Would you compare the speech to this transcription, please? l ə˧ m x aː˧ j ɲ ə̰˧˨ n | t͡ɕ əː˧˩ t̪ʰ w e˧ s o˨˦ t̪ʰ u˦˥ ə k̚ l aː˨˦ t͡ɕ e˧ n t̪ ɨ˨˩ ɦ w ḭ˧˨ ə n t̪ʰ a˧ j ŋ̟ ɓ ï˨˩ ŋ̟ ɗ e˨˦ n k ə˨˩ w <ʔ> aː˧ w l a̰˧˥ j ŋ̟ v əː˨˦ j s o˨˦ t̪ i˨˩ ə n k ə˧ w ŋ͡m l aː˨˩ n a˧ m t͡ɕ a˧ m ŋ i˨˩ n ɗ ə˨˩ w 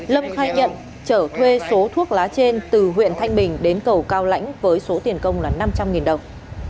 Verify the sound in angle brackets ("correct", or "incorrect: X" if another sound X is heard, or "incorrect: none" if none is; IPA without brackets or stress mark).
incorrect: k